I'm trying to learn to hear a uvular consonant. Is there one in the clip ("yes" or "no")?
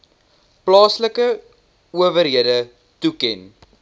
no